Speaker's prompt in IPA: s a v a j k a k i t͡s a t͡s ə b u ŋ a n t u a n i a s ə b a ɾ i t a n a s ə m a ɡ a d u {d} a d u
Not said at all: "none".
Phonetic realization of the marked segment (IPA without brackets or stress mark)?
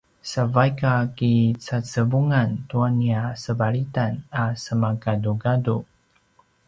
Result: ɡ